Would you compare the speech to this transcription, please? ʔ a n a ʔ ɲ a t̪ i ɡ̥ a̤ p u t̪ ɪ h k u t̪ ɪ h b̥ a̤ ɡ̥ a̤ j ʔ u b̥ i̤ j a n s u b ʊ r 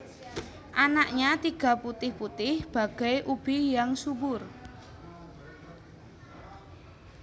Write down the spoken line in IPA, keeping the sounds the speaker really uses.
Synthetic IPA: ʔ a n a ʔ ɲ a t̪ i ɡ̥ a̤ p u t̪ ɪ h p u t̪ ɪ h b̥ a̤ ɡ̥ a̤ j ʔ u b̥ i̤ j a ŋ s u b ʊ r